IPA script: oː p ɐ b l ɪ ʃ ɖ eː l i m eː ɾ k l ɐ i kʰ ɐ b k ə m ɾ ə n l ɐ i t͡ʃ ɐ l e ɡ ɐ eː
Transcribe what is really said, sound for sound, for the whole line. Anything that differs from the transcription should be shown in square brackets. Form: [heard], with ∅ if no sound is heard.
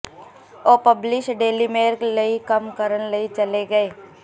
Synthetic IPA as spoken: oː p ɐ b l ɪ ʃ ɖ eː l i m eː ɾ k l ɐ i [k] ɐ [m] k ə [∅] ɾ ə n l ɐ i t͡ʃ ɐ l e ɡ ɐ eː